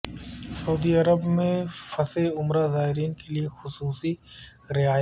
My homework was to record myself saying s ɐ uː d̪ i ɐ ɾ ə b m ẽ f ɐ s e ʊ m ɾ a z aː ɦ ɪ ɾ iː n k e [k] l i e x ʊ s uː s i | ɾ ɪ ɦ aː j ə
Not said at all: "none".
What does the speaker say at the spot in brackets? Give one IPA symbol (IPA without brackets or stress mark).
none